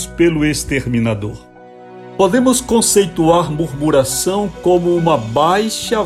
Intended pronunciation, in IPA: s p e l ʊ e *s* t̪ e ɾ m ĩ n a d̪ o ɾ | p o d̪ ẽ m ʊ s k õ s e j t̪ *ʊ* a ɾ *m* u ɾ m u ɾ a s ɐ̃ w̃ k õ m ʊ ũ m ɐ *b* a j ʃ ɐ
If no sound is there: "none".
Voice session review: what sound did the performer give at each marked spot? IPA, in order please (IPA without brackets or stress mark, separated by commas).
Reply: s, u, m, b